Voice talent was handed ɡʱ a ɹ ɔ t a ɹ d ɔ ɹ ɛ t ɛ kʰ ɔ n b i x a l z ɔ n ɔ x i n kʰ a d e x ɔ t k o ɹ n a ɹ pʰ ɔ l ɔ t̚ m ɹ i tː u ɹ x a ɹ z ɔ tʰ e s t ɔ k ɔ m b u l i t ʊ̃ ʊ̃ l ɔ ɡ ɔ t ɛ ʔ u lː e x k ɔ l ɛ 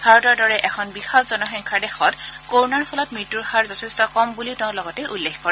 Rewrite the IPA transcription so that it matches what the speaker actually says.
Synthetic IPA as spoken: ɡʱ a ɹ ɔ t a ɹ d ɔ ɹ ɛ ʔ ɛ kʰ ɔ n b i x a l z ɔ n ɔ x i ŋ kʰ a d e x ɔ t k o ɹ n a ɹ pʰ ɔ l ɔ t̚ m ɹ i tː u ɹ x a ɹ z ɔ tʰ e s t ɔ k ɔ m b u l i t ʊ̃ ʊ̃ l ɔ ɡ ɔ t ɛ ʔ u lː e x k ɔ ɹ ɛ